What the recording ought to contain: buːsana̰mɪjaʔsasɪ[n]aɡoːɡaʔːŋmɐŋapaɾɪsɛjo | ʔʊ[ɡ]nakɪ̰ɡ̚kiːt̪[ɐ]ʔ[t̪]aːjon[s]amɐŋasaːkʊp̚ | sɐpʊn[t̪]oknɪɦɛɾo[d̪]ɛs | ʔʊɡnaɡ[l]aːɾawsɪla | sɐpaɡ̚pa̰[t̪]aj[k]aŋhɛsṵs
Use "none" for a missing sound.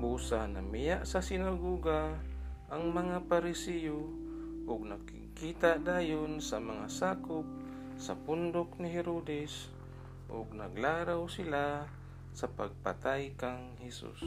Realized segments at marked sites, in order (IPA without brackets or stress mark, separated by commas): n, ɡ, a, d̪, s, d̪, d̪, l, t̪, k